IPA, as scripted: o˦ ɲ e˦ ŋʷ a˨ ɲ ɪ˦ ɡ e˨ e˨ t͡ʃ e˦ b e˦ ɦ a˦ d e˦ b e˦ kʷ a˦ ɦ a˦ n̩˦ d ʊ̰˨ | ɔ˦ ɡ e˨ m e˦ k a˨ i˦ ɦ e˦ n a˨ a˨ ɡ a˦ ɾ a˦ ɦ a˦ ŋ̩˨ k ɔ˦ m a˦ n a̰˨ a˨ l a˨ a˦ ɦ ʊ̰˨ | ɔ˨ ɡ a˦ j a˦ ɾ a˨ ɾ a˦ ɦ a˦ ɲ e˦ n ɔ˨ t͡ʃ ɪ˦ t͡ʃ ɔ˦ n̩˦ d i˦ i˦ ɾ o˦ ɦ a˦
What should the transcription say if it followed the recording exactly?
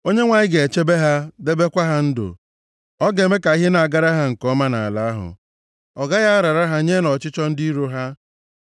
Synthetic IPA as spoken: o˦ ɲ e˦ ŋʷ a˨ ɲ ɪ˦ ɡ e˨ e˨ t͡ʃ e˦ b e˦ ɦ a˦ d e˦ b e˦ kʷ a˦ ɦ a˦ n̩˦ d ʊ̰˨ | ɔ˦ ɡ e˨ m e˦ k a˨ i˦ ɦ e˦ n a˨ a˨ ɡ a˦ ɾ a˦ ɦ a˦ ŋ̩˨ k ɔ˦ m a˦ n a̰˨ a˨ l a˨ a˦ ɦ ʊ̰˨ | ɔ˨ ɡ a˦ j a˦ ɾ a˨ ɾ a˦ ɦ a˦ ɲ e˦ n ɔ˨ t͡ʃ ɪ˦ t͡ʃ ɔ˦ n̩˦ d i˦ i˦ ɾ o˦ ɦ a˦